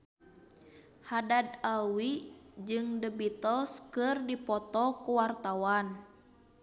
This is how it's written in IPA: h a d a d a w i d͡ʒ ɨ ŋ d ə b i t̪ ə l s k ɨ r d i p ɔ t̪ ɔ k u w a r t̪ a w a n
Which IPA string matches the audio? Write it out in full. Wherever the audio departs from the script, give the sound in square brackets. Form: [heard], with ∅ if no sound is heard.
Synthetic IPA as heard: h a d a d a w i d͡ʒ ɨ ŋ d ə b i t̪ ə l s k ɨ r d i p ɔ t̪ ɔ k u w a r t̪ a w a n